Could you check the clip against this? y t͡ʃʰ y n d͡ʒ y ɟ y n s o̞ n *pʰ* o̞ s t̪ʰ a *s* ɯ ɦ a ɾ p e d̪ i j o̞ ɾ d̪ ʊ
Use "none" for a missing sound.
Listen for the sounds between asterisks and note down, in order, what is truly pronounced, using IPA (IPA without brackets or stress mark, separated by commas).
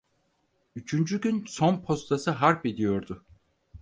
pʰ, s